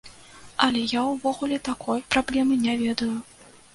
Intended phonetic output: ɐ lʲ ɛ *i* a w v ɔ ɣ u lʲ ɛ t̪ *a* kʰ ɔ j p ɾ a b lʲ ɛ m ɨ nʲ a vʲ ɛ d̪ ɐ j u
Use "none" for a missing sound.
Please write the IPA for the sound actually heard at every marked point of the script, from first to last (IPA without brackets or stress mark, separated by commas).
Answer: j, a